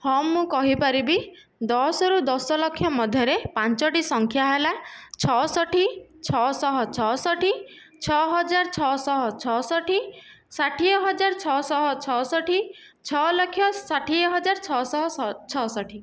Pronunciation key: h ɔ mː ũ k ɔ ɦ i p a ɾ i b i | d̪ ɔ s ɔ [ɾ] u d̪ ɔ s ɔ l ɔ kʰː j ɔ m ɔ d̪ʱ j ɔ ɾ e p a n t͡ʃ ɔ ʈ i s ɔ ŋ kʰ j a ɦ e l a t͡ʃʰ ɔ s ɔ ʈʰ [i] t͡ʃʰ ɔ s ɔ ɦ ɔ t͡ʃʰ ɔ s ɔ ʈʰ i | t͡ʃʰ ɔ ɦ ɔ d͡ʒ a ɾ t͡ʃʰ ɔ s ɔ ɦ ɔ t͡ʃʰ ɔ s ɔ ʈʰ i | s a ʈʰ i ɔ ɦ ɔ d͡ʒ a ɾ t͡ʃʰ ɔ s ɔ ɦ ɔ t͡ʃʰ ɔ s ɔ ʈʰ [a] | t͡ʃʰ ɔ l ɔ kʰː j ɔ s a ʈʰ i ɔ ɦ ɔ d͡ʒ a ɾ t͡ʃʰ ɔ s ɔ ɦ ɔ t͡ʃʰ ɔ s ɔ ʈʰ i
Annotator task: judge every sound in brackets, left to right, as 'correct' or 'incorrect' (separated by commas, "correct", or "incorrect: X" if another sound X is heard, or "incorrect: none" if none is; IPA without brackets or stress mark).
correct, correct, incorrect: i